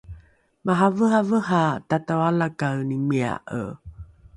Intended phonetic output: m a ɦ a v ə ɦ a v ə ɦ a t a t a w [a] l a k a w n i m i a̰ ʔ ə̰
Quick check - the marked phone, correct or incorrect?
correct